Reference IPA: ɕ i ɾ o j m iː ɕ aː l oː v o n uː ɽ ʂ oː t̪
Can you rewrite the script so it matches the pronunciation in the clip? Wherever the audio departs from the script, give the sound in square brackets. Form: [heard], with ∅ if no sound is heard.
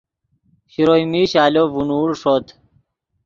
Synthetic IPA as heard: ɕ i ɾ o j m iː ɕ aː l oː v [u] n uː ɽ ʂ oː t̪